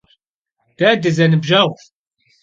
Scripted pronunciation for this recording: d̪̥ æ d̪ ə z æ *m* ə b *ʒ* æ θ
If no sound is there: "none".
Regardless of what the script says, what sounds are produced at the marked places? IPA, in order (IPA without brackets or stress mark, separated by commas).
n, ʒ